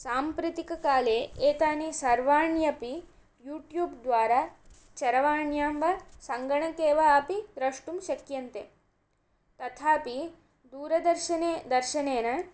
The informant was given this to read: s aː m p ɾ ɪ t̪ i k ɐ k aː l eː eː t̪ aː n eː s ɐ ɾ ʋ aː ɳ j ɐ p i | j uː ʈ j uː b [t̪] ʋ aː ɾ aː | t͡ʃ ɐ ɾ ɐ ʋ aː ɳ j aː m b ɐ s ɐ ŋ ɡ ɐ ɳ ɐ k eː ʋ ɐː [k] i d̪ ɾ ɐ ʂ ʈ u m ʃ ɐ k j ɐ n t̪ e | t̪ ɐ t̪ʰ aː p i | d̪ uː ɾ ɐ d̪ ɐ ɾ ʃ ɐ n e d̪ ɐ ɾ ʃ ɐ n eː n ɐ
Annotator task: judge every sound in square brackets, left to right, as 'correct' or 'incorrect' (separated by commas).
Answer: incorrect, incorrect